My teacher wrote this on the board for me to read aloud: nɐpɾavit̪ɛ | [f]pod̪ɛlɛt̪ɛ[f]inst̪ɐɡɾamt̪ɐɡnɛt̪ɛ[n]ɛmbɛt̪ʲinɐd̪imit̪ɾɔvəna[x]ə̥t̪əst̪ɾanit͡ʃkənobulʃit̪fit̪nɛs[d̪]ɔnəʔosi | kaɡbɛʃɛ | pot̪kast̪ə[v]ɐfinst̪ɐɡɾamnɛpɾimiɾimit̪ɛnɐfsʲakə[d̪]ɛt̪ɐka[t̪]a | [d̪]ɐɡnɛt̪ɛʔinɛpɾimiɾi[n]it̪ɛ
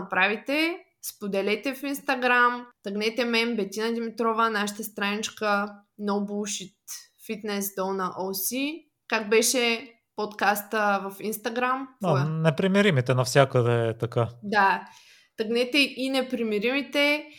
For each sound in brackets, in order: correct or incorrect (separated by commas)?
incorrect, correct, incorrect, incorrect, correct, correct, correct, incorrect, incorrect, incorrect